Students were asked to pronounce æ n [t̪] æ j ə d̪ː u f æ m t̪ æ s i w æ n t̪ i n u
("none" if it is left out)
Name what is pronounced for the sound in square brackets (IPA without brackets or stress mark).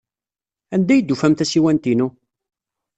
d̪